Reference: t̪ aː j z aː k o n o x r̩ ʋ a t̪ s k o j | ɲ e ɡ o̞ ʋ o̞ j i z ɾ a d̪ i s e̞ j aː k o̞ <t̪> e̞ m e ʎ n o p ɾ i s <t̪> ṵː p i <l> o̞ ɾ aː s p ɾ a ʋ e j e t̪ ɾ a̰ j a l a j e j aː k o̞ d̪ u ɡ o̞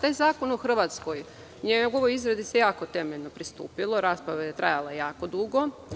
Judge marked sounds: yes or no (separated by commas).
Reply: yes, yes, yes